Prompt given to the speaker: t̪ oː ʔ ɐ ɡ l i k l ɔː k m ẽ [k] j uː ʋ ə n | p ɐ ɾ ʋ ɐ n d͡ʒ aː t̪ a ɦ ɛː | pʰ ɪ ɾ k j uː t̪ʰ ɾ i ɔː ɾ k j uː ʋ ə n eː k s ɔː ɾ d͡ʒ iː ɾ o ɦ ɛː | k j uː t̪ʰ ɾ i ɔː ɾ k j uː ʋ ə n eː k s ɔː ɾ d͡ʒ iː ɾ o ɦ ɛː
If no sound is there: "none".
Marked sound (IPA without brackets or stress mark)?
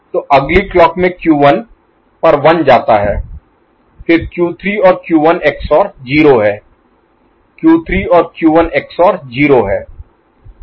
k